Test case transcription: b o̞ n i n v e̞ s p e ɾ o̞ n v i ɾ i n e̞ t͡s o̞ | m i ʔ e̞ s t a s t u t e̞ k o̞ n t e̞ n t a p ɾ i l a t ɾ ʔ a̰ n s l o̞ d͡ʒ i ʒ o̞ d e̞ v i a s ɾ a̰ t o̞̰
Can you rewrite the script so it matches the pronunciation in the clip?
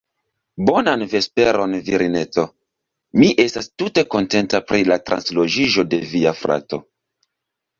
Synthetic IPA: b o̞ n a n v e̞ s p e ɾ o̞ n v i ɾ i n e̞ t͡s o̞ | m i ʔ e̞ s t a s t u t e̞ k o̞ n t e̞ n t a p ɾ i l a t ɾ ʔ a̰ n s l o̞ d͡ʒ i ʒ o̞ d e̞ v i a f ɾ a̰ t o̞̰